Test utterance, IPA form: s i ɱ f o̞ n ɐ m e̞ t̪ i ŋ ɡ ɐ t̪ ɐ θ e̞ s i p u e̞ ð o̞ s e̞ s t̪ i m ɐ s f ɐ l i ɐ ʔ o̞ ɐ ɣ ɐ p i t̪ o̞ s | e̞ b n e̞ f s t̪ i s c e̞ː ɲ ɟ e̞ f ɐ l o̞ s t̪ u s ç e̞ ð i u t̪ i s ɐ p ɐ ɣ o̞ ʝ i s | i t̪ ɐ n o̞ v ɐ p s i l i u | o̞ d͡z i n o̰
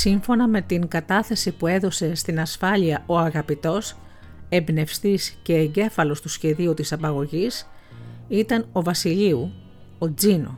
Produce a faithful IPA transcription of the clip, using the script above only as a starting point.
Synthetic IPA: s i ɱ f o̞ n ɐ m e̞ t̪ i ŋ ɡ ɐ t̪ ɐ θ e̞ s i p u e̞ ð o̞ s e̞ s t̪ i n ɐ s f ɐ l i ɐ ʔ o̞ ɐ ɣ ɐ p i t̪ o̞ s | e̞ b n e̞ f s t̪ i s c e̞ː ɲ ɟ e̞ f ɐ l o̞ s t̪ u s ç e̞ ð i u t̪ i s ɐ p ɐ ɣ o̞ ʝ i s | i t̪ ɐ n o̞ v ɐ s i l i u | o̞ d͡z i n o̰